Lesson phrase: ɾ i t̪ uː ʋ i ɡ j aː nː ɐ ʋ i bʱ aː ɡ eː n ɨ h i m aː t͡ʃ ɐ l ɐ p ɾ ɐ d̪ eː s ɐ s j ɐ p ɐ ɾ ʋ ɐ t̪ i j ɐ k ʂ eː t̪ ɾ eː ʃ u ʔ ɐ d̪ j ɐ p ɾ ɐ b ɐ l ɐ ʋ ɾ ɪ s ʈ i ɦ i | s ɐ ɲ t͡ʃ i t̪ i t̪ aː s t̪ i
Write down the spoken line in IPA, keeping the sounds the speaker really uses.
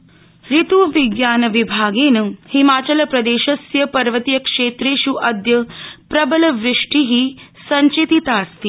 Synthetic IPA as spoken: ɾ i t̪ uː ʋ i ɡ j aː n ɐ ʋ i bʱ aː ɡ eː n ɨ h i m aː t͡ʃ ɐ l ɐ p ɾ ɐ d̪ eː ʃ ɐ s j ɐ p ɐ ɾ ʋ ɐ t̪ i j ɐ k ʂ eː t̪ ɾ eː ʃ u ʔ ɐ d̪ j ɐ p ɾ ɐ b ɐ l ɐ ʋ ɾ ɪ ʂ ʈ i ɦ i | s ɐ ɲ t͡ʃ i t̪ i t̪ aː s t̪ i